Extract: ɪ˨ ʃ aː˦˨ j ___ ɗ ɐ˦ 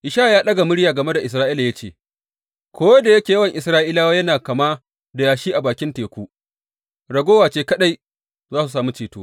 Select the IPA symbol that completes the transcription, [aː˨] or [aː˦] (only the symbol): aː˦